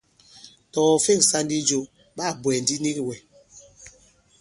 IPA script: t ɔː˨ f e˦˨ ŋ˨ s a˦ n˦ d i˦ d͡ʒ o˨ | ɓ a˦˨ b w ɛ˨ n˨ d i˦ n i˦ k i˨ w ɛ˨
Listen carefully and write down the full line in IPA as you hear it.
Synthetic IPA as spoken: t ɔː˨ f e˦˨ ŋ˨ s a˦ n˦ d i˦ d͡ʒ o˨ | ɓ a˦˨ b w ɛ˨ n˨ d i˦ n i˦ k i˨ w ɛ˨